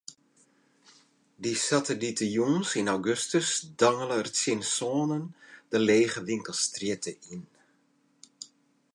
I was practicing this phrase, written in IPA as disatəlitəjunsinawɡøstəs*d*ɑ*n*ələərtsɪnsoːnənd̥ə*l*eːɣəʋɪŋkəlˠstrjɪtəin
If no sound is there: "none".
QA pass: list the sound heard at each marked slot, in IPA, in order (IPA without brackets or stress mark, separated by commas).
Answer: d, ŋ, l